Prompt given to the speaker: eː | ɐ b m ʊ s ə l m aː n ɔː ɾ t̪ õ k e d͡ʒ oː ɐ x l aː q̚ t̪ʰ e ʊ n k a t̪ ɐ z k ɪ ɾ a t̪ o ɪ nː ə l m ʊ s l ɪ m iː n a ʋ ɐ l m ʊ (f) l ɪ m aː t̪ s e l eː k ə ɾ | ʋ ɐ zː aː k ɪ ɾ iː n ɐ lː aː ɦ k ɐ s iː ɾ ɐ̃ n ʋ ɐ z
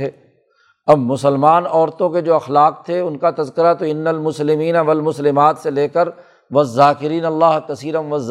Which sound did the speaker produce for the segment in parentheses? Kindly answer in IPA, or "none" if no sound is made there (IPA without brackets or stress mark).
s